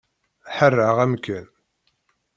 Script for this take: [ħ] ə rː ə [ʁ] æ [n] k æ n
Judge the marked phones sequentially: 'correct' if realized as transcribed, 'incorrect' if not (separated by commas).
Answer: correct, correct, incorrect